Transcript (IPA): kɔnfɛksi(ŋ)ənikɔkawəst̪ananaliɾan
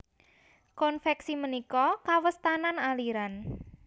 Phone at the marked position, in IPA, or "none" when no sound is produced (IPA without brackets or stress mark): m